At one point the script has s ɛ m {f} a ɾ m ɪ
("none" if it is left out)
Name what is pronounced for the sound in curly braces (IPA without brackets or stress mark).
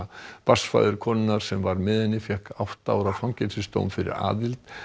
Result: v